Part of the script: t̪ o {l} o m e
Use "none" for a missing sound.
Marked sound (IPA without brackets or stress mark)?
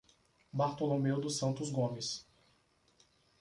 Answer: l